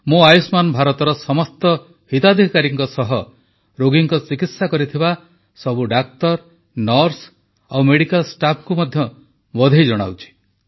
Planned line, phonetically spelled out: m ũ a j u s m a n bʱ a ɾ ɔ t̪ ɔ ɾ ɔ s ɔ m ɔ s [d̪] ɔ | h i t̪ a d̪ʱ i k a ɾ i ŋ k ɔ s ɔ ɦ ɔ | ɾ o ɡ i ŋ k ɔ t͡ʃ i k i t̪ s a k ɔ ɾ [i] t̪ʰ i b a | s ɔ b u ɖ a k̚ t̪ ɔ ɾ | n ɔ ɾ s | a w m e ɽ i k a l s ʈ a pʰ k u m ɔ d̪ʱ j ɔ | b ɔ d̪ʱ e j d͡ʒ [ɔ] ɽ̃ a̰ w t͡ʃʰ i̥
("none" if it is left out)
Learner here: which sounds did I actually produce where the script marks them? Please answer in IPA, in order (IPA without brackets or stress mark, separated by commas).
t̪, i, ɔ